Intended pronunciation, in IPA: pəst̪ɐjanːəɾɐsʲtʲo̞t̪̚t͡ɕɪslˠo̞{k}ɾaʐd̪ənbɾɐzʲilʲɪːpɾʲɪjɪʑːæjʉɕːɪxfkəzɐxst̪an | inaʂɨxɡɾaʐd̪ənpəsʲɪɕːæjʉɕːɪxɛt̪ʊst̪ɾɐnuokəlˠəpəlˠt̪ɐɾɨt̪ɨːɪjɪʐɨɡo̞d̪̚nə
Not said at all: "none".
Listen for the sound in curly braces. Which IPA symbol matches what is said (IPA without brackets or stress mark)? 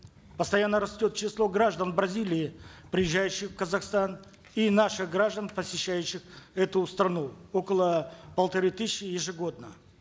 ɡ